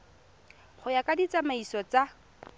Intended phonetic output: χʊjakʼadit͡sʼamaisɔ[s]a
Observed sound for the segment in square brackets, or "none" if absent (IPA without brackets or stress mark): t͡s